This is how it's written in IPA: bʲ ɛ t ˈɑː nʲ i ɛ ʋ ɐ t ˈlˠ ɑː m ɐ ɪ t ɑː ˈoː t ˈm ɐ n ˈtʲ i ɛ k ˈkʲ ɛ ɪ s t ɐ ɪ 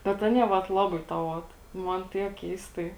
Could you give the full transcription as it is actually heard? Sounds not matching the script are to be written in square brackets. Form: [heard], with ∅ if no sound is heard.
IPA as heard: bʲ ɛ t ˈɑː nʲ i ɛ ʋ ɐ t ˈlˠ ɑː [b] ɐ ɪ t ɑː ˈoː t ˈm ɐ n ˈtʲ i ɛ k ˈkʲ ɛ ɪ s t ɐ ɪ